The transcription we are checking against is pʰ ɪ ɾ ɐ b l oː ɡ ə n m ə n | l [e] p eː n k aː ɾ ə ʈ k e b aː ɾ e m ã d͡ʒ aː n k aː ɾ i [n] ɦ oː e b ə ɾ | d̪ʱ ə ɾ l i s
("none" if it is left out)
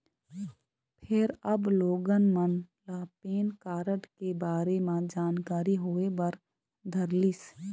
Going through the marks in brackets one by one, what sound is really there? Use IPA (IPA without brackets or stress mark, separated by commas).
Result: a, none